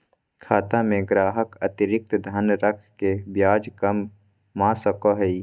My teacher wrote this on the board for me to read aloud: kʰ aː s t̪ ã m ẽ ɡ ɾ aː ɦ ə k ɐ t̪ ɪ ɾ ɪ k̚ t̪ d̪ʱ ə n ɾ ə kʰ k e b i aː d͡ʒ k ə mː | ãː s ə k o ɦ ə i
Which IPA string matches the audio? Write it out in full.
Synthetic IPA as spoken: kʰ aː t̪ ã m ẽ ɡ ɾ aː ɦ ə k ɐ t̪ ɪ ɾ ɪ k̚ t̪ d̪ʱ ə n ɾ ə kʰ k e b j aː d͡ʒ k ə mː | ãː s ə k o ɦ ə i